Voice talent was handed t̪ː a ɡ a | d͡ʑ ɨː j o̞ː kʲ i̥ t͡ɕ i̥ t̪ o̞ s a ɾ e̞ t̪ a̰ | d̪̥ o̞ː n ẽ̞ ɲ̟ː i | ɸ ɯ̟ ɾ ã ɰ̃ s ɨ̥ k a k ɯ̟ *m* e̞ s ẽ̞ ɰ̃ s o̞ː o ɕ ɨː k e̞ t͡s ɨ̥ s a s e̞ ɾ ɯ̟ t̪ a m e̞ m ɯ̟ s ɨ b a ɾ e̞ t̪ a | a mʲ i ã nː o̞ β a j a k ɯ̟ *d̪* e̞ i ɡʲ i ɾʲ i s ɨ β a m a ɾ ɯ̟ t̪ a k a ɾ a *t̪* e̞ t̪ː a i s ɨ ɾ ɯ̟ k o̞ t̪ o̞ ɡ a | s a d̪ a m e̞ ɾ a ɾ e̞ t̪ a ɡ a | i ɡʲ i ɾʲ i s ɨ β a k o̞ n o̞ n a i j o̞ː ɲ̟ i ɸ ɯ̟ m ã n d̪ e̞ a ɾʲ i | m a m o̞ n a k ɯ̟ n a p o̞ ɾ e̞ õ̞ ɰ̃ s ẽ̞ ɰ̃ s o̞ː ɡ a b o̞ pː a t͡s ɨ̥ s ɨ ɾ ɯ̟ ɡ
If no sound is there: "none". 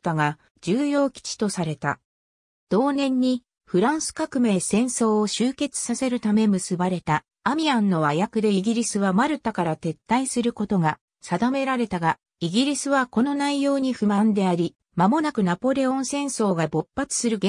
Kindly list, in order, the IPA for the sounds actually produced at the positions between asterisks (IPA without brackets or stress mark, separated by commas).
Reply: m, d̪, t̪